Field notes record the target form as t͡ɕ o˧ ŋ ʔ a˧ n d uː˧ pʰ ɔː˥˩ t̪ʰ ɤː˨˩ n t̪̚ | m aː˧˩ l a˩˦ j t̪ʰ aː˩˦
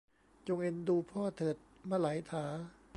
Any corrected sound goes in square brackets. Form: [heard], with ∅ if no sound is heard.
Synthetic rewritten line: t͡ɕ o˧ ŋ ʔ [e˧] n d uː˧ pʰ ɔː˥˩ t̪ʰ ɤː˨˩ [∅] t̪̚ | m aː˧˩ l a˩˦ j t̪ʰ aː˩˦

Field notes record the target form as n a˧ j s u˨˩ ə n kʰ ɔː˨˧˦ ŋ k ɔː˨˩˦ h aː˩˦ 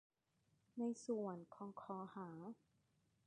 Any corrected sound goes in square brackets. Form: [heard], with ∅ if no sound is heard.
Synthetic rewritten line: n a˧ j s u˨˩ ə n kʰ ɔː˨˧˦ ŋ [kʰ] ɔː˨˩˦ h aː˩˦

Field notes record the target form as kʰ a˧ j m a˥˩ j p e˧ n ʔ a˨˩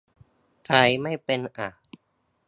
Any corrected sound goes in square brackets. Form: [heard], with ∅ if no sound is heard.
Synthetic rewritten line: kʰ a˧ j m a˥˩ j p e˧ n ʔ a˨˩

